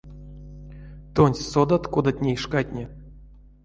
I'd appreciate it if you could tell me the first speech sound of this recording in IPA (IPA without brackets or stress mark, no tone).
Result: t̪